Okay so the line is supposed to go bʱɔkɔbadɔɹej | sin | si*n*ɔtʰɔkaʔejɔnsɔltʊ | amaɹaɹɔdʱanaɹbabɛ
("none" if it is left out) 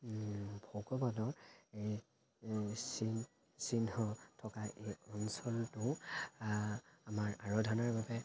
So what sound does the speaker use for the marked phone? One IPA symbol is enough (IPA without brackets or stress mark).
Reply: n